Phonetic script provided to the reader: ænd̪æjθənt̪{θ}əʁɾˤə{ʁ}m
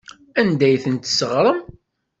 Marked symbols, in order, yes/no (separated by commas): no, no